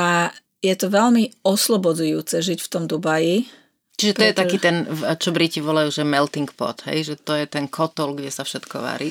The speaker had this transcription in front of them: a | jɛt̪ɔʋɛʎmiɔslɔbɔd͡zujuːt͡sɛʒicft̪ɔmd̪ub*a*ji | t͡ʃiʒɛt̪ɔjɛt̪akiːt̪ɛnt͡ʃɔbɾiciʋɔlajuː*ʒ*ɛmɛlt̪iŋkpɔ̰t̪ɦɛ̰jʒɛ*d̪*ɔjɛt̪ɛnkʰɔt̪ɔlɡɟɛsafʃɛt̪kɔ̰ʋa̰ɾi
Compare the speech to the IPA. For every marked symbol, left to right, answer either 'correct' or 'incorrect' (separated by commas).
correct, correct, incorrect